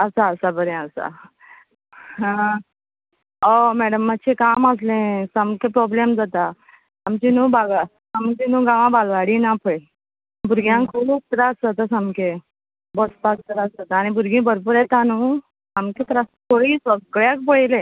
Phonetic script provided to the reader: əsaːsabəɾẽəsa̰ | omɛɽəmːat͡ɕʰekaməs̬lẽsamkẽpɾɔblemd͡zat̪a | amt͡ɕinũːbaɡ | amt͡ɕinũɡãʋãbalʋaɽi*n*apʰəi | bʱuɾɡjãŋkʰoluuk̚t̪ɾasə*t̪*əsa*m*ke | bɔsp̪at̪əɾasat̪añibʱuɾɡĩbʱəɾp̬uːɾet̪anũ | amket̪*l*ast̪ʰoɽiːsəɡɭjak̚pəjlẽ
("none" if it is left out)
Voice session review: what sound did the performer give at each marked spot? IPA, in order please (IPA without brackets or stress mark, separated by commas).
n, t̪, m, ɾ